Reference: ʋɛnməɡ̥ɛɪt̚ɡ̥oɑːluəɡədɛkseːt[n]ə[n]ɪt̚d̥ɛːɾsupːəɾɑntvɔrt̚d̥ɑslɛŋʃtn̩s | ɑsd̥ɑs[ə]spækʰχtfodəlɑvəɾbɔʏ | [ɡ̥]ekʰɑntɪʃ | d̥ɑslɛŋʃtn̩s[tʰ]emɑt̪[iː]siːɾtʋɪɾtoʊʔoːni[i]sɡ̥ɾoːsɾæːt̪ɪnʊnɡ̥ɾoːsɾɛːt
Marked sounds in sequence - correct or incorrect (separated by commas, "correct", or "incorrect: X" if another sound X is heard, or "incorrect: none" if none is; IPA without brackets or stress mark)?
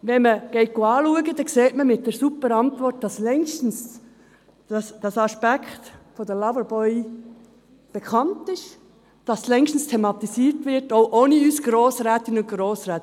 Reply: incorrect: m, incorrect: m, incorrect: ɑ, incorrect: b̥, correct, incorrect: i, incorrect: y